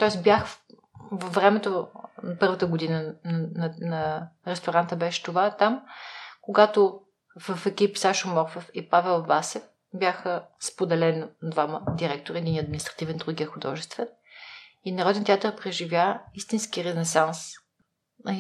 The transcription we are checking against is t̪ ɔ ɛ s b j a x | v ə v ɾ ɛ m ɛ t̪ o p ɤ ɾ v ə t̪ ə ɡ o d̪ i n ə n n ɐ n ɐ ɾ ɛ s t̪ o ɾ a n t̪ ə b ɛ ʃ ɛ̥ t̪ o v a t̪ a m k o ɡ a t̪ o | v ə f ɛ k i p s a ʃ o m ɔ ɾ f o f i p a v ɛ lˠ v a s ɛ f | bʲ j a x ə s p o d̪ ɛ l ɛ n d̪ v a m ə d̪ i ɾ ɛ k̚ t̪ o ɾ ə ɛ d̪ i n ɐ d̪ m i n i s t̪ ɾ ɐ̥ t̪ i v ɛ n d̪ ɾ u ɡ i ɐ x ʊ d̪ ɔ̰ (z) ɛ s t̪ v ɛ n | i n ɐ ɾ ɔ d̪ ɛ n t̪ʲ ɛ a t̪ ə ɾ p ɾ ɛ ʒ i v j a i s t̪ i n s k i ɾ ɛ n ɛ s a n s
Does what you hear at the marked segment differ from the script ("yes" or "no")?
yes